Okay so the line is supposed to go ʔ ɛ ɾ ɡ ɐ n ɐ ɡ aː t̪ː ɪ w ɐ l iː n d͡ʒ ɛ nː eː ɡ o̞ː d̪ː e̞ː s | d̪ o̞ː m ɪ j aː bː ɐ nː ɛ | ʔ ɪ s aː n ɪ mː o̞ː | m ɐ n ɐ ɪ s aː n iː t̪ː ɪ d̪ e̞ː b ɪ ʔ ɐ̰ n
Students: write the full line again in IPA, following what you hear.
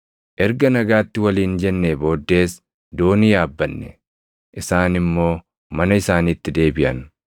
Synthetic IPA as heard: ʔ ɛ ɾ ɡ ɐ n ɐ ɡ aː t̪ː ɪ w ɐ l iː n d͡ʒ ɛ nː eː b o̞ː d̪ː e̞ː s | d̪ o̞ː n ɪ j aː bː ɐ nː ɛ | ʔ ɪ s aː n ɪ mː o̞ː | m ɐ n ɐ ɪ s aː n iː t̪ː ɪ d̪ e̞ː b ɪ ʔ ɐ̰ n